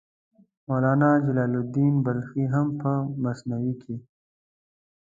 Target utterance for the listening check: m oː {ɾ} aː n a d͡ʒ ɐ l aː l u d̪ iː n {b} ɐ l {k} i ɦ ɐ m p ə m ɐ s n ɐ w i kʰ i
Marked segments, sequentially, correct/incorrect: incorrect: l, correct, incorrect: x

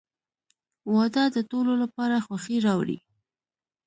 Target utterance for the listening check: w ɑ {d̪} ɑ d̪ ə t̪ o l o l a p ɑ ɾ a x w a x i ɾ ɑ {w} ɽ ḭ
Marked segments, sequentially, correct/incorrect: correct, correct

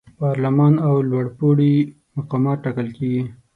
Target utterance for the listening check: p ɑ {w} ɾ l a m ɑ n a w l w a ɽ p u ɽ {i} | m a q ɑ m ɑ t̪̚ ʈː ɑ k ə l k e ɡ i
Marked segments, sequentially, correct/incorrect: incorrect: none, correct

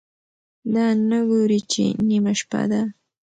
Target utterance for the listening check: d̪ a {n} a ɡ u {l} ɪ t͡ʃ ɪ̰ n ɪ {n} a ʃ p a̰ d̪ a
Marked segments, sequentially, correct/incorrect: correct, incorrect: ɾ, incorrect: m

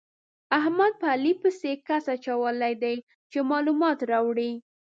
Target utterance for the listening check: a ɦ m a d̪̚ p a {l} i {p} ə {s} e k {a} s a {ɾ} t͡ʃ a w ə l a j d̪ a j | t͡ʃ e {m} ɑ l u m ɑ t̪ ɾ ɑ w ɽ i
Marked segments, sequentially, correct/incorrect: correct, correct, correct, correct, incorrect: none, correct

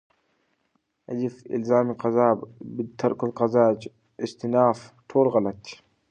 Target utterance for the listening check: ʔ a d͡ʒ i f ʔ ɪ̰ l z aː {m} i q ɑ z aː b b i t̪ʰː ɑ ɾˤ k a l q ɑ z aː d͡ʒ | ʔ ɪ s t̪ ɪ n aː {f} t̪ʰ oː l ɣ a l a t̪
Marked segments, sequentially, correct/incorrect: correct, correct

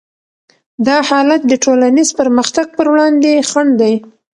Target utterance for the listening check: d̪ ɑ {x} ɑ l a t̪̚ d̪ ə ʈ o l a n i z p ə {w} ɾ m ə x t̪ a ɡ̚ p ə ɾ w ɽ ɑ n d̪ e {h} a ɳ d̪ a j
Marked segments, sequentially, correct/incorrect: incorrect: h, incorrect: none, incorrect: x

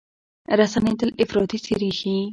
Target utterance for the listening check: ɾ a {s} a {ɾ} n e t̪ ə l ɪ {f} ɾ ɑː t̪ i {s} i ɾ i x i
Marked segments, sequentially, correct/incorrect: correct, incorrect: none, correct, correct

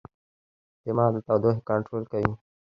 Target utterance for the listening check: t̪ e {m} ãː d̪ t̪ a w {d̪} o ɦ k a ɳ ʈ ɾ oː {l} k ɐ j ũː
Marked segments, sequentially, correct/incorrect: correct, correct, correct

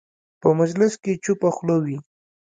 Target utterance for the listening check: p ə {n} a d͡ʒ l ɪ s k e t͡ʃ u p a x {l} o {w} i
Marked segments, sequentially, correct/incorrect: incorrect: m, correct, correct

